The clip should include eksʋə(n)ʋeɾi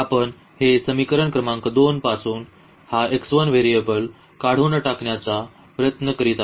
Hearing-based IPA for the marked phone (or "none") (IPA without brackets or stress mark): n